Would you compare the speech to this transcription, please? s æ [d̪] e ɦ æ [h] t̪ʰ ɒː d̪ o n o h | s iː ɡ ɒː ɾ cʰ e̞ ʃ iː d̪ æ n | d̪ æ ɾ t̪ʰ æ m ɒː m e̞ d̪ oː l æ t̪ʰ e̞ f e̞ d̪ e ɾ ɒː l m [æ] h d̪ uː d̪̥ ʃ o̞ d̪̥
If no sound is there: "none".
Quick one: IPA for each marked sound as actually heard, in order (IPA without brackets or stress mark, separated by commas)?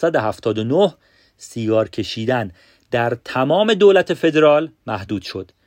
d̪, f, æ